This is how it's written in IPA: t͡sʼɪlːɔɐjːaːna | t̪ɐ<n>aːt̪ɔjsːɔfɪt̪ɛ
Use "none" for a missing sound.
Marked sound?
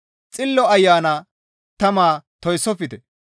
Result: m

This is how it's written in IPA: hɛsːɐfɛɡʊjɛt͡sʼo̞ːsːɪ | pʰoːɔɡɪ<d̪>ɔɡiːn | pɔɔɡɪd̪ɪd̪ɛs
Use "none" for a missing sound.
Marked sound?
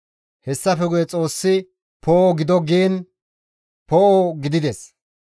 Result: d̪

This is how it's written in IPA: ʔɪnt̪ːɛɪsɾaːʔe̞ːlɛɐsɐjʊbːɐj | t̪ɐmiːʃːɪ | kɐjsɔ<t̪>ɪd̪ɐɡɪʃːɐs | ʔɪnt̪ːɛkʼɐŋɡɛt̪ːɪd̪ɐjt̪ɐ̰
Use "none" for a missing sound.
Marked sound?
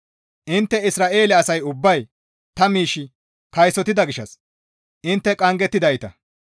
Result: t̪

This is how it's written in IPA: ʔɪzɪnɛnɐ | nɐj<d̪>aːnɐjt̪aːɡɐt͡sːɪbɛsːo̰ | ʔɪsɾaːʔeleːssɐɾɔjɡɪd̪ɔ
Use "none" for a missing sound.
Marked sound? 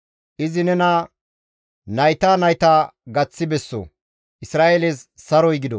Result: t̪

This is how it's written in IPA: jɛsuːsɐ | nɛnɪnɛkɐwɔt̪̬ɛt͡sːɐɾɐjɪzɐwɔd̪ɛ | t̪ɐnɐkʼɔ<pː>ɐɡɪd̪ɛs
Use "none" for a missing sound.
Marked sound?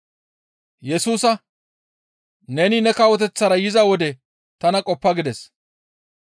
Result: pː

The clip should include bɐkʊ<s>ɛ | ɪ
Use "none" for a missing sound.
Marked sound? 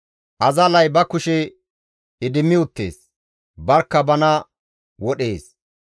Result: ʃ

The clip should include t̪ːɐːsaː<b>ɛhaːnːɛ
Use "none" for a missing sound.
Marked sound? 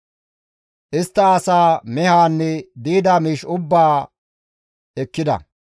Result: m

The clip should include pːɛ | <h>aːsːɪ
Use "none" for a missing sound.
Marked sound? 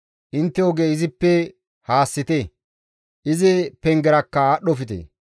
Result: h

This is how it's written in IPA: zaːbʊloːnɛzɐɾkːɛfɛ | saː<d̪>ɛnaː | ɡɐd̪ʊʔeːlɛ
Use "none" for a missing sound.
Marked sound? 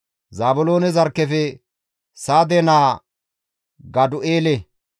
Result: d̪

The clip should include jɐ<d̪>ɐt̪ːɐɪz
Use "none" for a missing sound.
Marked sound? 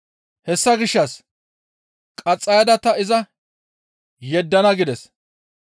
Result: d̪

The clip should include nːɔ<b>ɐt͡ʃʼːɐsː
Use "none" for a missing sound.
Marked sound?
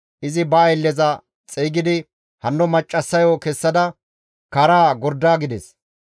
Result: m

